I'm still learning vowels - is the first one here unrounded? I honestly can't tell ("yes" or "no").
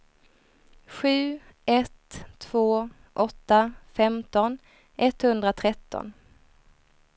no